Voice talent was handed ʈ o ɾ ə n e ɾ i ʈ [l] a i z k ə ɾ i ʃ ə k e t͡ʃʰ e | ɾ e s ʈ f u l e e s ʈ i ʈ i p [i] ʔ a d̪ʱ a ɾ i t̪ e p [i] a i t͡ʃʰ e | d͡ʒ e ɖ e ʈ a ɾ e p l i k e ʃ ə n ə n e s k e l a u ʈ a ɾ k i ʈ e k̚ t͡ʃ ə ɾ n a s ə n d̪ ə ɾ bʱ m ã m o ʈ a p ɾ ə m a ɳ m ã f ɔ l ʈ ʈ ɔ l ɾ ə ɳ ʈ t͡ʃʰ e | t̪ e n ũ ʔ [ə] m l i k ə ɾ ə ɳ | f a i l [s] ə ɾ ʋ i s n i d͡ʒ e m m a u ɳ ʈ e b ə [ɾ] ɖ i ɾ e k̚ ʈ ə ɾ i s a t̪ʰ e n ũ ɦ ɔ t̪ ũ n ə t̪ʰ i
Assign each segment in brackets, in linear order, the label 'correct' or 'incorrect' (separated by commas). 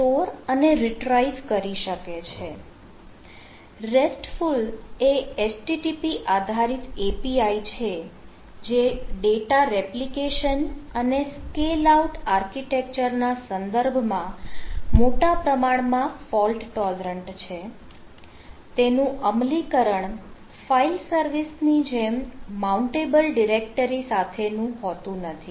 incorrect, correct, correct, correct, correct, incorrect